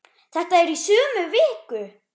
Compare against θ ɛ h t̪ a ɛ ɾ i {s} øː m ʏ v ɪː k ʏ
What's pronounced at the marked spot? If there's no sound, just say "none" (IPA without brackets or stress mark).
s